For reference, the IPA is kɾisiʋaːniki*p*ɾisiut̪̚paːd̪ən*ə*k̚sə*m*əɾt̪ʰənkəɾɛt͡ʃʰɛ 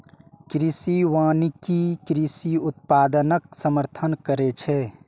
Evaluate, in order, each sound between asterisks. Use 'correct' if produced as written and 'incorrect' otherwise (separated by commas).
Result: incorrect, correct, correct